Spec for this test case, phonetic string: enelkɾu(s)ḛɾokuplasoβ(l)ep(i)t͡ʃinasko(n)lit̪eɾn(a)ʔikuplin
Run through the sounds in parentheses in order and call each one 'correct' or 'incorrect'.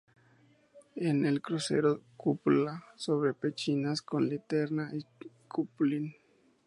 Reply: correct, incorrect: ɾ, incorrect: e, correct, correct

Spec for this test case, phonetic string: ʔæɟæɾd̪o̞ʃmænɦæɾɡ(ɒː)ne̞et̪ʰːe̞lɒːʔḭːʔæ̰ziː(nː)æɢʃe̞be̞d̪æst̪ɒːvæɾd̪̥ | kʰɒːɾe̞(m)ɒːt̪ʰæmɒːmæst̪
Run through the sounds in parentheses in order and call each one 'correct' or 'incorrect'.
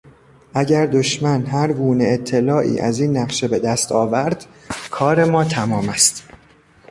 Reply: incorrect: uː, correct, correct

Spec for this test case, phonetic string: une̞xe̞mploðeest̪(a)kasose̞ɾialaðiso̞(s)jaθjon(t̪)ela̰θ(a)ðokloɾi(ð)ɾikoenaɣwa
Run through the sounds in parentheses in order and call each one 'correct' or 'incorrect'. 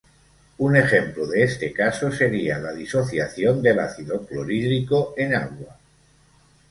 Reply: incorrect: e, incorrect: θ, incorrect: d̪, incorrect: i, correct

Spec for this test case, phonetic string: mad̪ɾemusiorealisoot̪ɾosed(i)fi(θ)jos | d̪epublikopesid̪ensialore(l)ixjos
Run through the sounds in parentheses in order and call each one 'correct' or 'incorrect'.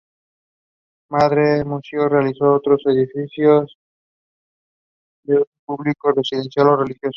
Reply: correct, incorrect: s, correct

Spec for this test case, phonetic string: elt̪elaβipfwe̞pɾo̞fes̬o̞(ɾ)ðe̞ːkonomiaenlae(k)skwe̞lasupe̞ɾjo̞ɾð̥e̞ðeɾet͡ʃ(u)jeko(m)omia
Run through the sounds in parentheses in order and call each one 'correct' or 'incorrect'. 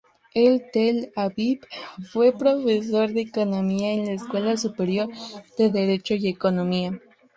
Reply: correct, incorrect: none, incorrect: o, incorrect: n

